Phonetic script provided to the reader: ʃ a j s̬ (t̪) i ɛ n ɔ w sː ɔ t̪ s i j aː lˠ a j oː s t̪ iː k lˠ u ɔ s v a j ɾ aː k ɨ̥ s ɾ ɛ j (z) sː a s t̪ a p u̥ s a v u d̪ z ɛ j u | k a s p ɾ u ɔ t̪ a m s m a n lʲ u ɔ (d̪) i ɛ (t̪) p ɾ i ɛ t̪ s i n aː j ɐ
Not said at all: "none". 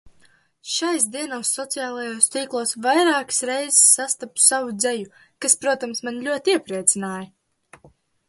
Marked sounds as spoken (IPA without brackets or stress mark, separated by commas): d̪, z, t̪, none